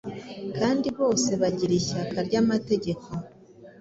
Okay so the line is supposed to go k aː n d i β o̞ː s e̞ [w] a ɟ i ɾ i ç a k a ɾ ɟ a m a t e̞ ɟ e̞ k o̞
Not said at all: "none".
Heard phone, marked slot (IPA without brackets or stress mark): β